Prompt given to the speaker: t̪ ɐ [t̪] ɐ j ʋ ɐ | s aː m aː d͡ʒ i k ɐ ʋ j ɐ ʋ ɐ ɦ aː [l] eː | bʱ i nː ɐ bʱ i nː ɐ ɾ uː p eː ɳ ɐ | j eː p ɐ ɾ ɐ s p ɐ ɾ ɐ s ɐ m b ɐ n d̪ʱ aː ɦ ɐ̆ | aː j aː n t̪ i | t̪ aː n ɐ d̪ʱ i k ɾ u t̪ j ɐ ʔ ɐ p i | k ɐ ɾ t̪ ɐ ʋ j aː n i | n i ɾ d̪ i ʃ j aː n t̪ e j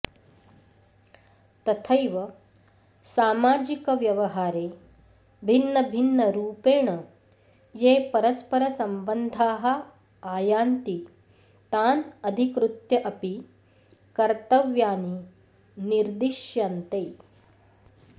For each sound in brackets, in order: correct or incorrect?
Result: incorrect: t̪ʰ, incorrect: ɾ

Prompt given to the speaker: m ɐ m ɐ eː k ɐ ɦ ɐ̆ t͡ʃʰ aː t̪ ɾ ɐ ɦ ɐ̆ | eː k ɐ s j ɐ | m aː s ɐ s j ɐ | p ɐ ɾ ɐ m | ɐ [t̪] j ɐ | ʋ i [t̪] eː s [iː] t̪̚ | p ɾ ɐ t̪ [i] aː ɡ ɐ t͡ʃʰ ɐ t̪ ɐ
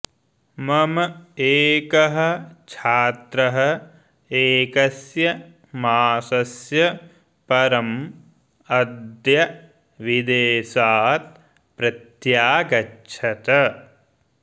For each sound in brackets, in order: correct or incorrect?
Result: incorrect: d̪, incorrect: d̪, incorrect: aː, incorrect: j

